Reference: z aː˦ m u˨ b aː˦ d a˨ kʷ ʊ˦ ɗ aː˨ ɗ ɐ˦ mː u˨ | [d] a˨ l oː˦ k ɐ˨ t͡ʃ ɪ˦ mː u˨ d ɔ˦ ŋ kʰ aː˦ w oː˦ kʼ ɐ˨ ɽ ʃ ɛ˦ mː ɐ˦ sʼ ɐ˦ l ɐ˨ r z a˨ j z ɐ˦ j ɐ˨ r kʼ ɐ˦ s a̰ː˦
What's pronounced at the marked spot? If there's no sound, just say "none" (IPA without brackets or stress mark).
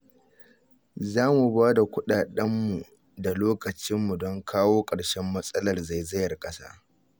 d